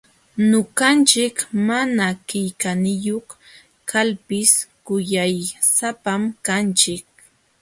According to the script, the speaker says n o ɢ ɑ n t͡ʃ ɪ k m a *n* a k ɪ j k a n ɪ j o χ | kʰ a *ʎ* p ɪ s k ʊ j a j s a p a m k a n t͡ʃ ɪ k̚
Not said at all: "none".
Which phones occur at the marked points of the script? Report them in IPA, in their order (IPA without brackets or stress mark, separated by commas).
n, l